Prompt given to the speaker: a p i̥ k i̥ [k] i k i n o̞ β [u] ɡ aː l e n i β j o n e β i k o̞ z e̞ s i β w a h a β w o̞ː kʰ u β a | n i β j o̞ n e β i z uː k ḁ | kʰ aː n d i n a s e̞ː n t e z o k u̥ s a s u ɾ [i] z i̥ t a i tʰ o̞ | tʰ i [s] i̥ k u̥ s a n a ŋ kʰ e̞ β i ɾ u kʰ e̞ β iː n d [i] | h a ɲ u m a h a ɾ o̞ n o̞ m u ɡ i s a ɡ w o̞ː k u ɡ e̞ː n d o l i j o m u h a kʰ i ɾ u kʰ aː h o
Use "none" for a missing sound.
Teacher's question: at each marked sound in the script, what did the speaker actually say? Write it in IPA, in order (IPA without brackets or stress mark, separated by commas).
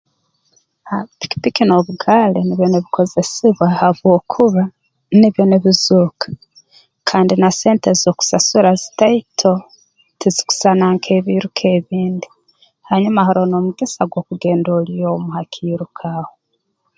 p, u, a, z, i